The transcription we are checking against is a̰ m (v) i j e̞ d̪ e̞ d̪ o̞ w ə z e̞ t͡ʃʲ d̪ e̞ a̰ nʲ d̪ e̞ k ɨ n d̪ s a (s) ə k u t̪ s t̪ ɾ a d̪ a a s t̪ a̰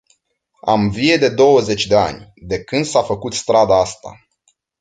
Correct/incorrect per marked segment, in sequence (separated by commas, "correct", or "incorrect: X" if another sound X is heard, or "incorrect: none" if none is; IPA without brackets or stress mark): correct, incorrect: f